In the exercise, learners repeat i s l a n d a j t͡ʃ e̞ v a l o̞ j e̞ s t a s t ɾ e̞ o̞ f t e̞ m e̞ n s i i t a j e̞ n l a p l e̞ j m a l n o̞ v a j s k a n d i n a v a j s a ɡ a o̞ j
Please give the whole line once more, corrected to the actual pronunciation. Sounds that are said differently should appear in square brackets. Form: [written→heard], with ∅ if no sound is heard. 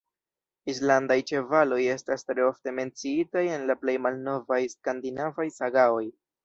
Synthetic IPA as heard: i s l a n d a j t͡ʃ e̞ v a l o̞ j e̞ s t a s t ɾ e̞ o̞ f t e̞ m e̞ n [s→t͡s] i i t a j e̞ n l a p l e̞ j m a l n o̞ v a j s k a n d i n a v a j s a ɡ a o̞ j